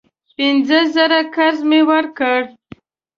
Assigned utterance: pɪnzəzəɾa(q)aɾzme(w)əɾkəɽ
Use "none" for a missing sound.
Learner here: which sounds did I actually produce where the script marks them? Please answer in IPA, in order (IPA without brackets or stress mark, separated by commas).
k, w